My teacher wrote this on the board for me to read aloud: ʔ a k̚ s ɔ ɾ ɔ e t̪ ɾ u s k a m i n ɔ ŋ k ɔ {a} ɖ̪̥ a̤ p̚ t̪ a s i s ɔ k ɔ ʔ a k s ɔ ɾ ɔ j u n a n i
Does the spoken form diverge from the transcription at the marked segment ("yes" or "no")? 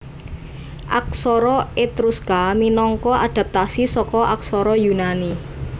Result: no